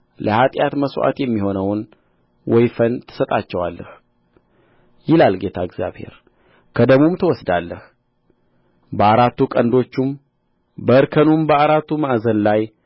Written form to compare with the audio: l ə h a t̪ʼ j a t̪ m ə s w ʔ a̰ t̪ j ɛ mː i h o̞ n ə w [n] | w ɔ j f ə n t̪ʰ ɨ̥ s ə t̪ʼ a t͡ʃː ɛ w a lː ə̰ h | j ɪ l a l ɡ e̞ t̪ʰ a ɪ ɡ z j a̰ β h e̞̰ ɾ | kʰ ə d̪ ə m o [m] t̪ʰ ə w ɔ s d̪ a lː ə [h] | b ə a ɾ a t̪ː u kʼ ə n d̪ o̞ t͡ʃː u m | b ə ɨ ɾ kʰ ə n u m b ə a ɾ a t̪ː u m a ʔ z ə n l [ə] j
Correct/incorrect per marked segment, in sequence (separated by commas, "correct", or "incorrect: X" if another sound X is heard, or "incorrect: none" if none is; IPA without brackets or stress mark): correct, correct, correct, incorrect: a